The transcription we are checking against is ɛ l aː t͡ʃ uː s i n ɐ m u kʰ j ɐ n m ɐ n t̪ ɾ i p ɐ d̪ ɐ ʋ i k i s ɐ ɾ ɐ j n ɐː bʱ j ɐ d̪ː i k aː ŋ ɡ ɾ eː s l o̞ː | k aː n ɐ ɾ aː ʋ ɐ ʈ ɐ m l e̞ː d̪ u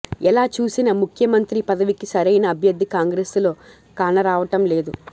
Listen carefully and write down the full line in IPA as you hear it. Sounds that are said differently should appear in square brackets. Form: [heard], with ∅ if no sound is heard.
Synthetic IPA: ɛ l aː t͡ʃ uː s i n ɐ m u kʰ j ɐ [∅] m ɐ n t̪ ɾ i p ɐ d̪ ɐ ʋ i k i s ɐ ɾ ɐ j n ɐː bʱ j ɐ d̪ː i k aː ŋ ɡ ɾ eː s l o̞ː | k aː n ɐ ɾ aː ʋ ɐ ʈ ɐ m l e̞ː d̪ u